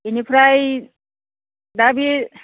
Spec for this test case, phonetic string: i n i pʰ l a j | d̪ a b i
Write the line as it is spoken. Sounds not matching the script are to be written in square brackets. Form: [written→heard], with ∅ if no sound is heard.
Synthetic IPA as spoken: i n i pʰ [l→ɾ] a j | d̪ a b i